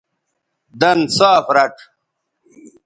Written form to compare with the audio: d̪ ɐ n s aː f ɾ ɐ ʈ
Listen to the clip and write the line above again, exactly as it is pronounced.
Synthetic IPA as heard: d̪ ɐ n s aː f ɾ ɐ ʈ

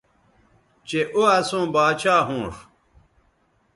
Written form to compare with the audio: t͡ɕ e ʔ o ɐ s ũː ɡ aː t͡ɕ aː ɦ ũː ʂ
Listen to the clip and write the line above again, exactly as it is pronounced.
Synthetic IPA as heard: t͡ɕ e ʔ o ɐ s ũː b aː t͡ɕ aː ɦ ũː ʂ

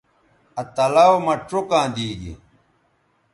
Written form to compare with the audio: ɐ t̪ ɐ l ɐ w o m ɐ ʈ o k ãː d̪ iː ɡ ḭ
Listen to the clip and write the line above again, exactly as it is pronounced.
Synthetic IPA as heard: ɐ t̪ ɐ l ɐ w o m ɐ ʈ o k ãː d̪ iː ɡ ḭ

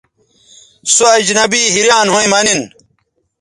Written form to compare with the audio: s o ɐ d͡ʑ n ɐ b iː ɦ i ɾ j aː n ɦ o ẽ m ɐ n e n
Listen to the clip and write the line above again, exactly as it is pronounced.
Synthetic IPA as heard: s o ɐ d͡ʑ n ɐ b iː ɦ i ɾ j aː n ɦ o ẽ m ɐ n i n

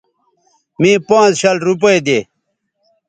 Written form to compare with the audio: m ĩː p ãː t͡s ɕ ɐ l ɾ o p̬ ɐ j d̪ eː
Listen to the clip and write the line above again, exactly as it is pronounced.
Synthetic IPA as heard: m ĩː p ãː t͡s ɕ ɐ l ɾ u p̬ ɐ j d̪ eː

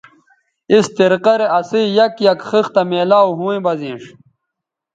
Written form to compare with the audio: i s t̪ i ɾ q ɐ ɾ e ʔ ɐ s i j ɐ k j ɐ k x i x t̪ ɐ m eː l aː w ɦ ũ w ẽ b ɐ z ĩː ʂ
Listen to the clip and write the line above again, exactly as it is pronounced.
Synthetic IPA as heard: i s t̪ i ɾ q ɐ ɾ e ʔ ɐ s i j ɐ k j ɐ k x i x t̪ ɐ m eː l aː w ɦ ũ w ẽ b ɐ z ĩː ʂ

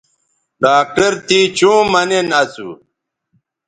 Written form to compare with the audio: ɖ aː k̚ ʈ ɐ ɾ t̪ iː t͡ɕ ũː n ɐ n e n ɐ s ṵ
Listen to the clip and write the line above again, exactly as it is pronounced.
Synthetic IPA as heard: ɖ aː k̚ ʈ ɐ ɾ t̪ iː t͡ɕ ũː m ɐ n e n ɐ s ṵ

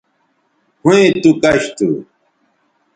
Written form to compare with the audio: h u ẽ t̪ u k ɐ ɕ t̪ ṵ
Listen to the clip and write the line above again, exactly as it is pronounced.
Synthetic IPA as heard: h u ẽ t̪ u k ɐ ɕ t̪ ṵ

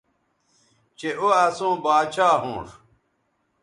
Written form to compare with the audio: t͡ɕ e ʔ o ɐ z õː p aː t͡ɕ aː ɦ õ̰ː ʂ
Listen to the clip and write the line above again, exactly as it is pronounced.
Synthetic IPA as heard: t͡ɕ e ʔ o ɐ s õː b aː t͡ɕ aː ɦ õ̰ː ʂ

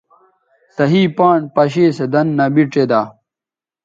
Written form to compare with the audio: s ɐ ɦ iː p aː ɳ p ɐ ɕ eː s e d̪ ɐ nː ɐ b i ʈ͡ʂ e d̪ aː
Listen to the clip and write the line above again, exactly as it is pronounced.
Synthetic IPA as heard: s ɐ ɦ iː p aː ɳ p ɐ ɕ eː s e d̪ ɐ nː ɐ b i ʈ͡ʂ e d̪ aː

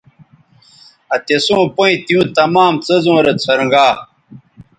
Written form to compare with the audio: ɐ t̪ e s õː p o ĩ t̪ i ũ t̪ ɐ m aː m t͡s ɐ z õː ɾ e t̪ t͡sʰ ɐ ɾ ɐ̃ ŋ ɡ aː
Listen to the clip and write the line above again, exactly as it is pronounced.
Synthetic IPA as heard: ɐ t̪ e s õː p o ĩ t̪ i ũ t̪ ɐ m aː m t͡s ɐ z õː ɾ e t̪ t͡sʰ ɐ ɾ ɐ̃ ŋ ɡ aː

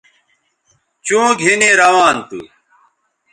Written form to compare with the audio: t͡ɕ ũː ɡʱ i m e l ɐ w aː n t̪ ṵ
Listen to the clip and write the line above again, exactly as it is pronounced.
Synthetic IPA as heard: t͡ɕ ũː ɡʱ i n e ɾ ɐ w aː n t̪ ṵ

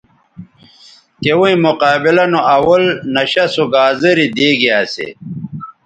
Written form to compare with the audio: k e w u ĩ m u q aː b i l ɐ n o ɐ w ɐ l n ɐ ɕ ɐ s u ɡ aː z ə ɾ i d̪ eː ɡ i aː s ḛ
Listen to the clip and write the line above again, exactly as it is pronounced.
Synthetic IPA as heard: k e w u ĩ m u q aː b i l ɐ n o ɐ w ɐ l n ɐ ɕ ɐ s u ɡ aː z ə ɾ i d̪ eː ɡ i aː s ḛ

